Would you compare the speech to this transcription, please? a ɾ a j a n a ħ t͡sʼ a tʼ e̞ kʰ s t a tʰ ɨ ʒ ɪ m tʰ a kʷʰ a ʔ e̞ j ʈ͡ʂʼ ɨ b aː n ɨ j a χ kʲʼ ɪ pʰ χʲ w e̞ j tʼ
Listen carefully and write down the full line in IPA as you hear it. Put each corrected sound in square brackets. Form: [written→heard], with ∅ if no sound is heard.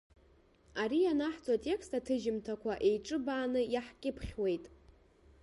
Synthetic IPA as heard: a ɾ [a→i] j a n a ħ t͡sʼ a tʼ e̞ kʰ s t a tʰ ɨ ʒ ɪ m tʰ a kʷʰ a ʔ e̞ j ʈ͡ʂʼ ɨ b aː n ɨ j a [χ→ħ] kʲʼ ɪ pʰ χʲ w e̞ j tʼ